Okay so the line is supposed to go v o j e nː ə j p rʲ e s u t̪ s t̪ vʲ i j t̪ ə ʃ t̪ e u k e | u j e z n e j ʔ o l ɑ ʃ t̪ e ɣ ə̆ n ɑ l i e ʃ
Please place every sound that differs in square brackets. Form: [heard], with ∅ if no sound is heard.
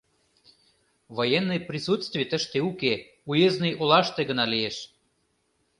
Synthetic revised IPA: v o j e nː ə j p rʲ [i] s u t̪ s t̪ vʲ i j t̪ ə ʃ t̪ e u k e | u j e z n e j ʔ o l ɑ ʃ t̪ e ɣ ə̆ n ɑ l i e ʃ